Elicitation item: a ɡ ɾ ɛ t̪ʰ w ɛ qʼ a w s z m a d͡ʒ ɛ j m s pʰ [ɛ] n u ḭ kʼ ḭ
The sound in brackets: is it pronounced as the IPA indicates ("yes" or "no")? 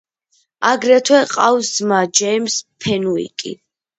yes